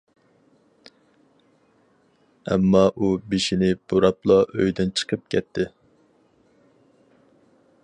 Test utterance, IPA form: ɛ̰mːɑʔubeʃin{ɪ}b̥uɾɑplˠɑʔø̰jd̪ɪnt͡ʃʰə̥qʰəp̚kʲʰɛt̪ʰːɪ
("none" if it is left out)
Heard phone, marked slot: ɪ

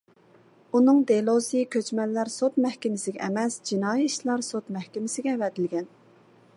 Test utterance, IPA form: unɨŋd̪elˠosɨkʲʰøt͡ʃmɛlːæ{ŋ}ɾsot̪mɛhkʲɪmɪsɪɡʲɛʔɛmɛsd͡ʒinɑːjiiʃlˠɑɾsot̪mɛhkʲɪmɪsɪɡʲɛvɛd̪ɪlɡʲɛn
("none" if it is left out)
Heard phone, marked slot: none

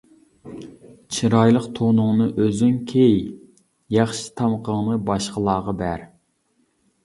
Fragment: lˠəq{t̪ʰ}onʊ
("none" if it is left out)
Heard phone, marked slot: t̪ʰ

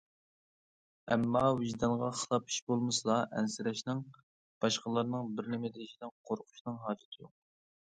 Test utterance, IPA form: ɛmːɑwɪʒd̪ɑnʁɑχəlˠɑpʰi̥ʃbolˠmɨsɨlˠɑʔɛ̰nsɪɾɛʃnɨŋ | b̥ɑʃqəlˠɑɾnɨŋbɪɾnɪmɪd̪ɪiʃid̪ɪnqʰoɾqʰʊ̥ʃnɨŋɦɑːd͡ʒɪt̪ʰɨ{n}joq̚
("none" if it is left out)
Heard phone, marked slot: none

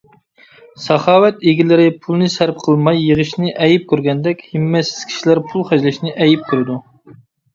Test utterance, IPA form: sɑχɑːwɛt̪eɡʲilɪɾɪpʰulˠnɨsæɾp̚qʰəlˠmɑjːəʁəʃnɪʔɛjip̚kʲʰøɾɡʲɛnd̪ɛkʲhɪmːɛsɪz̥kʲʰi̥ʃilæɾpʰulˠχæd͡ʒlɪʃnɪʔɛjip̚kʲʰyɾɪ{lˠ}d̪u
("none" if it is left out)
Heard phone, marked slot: none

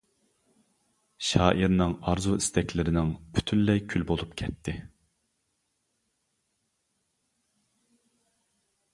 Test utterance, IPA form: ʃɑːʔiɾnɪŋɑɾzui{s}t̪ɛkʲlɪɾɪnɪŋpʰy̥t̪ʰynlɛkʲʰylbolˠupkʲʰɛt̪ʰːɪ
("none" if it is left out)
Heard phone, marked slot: s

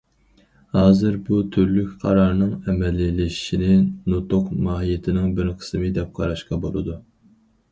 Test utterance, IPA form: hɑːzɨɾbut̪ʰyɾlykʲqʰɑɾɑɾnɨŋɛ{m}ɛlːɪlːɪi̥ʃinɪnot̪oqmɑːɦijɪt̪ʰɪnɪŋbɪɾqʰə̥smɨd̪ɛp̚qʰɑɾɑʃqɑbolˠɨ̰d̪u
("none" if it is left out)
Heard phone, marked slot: m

